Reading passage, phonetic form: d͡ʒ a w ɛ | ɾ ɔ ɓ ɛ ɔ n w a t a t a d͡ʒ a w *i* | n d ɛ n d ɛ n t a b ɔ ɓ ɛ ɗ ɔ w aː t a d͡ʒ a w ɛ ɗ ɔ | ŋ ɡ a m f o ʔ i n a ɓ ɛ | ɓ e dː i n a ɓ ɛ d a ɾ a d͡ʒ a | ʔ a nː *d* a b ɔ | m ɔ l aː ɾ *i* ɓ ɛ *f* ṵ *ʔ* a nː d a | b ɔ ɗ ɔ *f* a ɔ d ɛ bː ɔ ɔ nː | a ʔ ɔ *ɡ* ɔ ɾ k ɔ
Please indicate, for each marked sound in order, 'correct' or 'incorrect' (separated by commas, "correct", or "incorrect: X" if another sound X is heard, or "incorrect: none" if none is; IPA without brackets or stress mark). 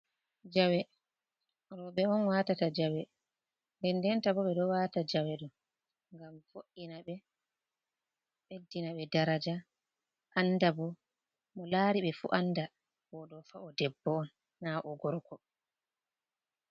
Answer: incorrect: ɛ, correct, correct, correct, correct, correct, correct